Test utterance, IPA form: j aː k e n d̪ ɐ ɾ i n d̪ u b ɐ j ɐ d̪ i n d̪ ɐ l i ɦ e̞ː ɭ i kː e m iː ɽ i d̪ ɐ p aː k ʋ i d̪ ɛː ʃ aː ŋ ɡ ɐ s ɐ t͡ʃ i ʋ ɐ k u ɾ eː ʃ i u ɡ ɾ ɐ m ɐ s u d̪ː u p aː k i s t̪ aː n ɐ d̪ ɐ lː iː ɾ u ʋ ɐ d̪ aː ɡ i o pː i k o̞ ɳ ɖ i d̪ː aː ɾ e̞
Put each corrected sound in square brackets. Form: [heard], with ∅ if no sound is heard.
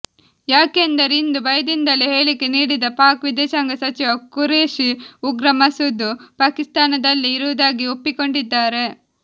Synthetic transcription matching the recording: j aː k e n d̪ ɐ ɾ i n d̪ u b ɐ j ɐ d̪ i n d̪ ɐ l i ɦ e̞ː ɭ i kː e [n] iː ɽ i d̪ ɐ p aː k ʋ i d̪ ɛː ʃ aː ŋ ɡ ɐ s ɐ t͡ʃ i ʋ ɐ k u ɾ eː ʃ i u ɡ ɾ ɐ m ɐ s u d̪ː u p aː k i s t̪ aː n ɐ d̪ ɐ lː iː ɾ u ʋ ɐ d̪ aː ɡ i o pː i k o̞ ɳ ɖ i d̪ː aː ɾ e̞